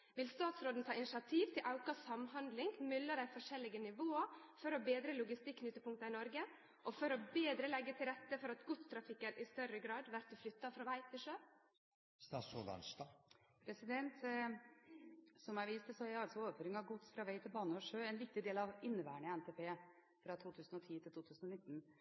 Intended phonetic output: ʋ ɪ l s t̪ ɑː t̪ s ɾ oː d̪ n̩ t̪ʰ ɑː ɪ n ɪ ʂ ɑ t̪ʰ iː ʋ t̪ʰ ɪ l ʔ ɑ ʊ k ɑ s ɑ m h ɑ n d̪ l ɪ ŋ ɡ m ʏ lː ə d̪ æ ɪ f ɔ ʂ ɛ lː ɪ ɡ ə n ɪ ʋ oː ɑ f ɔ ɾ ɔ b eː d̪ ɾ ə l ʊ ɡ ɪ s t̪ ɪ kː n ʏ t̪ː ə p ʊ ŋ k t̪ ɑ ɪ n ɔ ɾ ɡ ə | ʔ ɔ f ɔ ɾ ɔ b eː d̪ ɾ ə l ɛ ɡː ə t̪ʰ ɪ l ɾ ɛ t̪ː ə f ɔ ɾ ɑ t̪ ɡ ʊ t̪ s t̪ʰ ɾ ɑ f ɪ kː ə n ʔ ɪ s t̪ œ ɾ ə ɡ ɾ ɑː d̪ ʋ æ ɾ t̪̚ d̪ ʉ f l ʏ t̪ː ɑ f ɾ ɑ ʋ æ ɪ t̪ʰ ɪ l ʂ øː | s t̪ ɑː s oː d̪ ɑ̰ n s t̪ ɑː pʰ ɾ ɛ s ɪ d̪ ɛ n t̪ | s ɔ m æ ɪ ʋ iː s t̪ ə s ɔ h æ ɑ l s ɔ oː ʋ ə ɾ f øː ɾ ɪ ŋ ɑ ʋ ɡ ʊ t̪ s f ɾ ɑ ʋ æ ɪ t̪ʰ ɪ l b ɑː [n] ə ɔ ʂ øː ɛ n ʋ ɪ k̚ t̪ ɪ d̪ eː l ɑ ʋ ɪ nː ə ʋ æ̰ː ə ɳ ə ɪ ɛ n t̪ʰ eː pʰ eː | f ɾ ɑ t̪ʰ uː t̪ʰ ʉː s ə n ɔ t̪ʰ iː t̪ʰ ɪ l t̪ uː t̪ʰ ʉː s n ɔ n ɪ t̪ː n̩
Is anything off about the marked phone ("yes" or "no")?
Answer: no